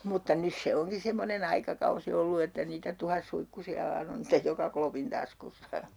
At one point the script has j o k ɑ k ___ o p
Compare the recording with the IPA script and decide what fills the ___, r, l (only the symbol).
l